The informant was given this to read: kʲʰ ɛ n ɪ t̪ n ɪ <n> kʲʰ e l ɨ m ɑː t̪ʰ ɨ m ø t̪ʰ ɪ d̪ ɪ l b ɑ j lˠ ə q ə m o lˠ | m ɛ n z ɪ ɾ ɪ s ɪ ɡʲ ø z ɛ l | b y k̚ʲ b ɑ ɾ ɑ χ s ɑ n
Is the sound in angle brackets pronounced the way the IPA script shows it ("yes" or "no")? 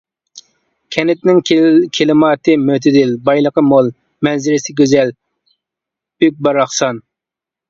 no